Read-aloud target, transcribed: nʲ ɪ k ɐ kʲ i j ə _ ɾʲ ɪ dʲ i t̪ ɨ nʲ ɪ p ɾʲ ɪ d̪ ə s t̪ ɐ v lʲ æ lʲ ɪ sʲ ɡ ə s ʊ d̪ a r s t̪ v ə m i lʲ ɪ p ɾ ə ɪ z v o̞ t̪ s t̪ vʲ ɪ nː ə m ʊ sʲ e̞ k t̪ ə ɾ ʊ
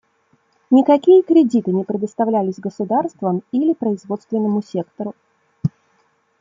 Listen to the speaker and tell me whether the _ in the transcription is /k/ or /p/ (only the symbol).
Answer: k